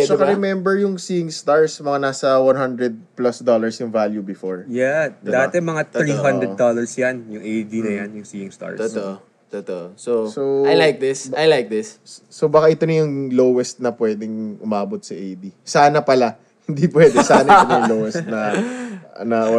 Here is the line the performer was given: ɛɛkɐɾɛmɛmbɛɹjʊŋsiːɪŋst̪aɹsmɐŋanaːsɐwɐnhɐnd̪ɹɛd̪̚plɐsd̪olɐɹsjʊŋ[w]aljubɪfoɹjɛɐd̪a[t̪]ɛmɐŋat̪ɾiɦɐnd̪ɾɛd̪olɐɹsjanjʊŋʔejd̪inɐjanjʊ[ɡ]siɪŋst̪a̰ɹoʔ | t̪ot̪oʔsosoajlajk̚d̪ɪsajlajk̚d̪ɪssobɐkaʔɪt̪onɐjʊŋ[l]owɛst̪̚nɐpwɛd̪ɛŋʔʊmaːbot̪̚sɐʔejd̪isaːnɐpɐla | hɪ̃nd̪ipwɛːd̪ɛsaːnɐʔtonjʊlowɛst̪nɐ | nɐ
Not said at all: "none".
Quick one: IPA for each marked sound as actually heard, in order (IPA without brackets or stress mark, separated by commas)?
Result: v, t̪, ŋ, l